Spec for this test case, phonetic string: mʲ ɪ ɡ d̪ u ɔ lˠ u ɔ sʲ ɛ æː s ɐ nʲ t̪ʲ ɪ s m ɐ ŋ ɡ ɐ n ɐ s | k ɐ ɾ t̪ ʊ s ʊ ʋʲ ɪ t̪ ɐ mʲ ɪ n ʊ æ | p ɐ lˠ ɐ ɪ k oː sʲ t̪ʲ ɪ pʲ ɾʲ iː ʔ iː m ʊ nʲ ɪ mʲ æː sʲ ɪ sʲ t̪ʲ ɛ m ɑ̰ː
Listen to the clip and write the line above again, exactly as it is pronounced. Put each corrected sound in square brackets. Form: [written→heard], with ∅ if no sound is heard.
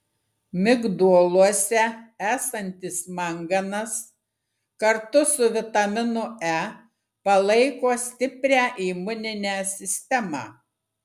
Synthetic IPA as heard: mʲ ɪ ɡ d̪ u ɔ lˠ u ɔ sʲ ɛ æː s ɐ nʲ t̪ʲ ɪ s m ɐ ŋ ɡ ɐ n ɐ s | k ɐ ɾ t̪ ʊ s ʊ ʋʲ ɪ t̪ ɐ mʲ ɪ n ʊ æ | p ɐ lˠ ɐ ɪ k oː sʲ t̪ʲ ɪ pʲ ɾʲ [iː→æː] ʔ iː m ʊ nʲ ɪ [mʲ→nʲ] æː sʲ ɪ sʲ t̪ʲ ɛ m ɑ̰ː